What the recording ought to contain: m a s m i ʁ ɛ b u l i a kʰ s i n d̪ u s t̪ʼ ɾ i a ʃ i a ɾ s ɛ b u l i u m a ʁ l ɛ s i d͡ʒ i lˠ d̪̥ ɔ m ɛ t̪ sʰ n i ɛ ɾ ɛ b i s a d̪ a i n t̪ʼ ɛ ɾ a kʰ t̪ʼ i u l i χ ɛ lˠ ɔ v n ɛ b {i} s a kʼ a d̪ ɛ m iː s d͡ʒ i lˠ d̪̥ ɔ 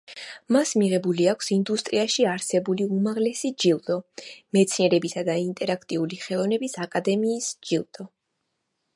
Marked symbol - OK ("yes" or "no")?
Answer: yes